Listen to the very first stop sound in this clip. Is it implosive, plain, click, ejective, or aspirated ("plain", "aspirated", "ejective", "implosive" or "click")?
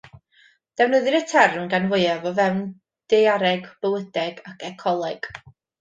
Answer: plain